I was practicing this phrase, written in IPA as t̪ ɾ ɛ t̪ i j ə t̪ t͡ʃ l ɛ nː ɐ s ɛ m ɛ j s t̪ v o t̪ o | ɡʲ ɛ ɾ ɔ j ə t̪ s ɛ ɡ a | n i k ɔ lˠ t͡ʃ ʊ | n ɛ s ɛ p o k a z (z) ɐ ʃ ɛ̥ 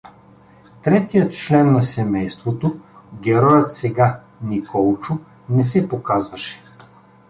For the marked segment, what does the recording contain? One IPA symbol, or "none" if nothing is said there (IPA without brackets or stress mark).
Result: v